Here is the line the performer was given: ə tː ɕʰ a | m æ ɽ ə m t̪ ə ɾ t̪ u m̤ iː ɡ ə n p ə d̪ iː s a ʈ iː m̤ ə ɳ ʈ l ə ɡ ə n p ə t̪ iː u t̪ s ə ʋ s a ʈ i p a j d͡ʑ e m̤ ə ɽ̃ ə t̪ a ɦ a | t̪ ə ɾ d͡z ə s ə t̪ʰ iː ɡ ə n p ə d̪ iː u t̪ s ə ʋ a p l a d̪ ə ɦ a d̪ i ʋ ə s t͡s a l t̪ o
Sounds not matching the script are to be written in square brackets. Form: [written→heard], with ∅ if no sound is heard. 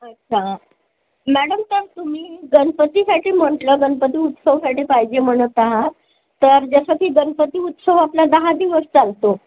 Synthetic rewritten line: ə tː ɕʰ a | m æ ɽ ə m t̪ ə ɾ t̪ u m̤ iː ɡ ə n p ə [d̪→t̪] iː s a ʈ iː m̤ ə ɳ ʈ l ə ɡ ə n p ə t̪ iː u t̪ s ə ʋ s a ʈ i p a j d͡ʑ e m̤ ə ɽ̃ ə t̪ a ɦ a | t̪ ə ɾ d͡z ə s ə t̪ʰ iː ɡ ə n p ə [d̪→t̪] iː u t̪ s ə ʋ a p l a d̪ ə ɦ a d̪ i ʋ ə s t͡s a l t̪ o